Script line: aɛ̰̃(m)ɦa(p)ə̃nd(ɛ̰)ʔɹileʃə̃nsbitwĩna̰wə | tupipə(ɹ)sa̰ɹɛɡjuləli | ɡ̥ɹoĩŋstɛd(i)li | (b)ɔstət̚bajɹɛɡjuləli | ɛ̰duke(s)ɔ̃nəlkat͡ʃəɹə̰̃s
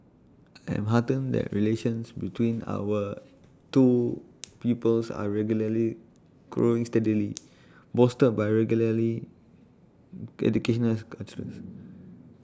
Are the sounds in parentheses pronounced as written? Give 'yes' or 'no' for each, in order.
yes, no, yes, no, yes, yes, no

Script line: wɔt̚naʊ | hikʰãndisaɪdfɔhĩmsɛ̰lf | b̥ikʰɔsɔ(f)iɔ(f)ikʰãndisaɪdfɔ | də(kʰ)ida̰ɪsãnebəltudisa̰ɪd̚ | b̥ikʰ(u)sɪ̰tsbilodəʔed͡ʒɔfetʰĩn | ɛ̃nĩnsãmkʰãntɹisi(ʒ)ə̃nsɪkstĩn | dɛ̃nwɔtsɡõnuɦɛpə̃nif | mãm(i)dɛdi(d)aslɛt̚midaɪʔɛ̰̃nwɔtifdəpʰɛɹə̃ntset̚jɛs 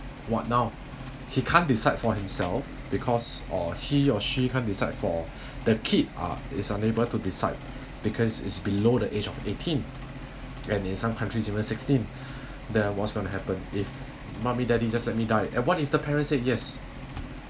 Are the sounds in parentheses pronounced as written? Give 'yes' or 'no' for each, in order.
no, no, yes, no, no, yes, no

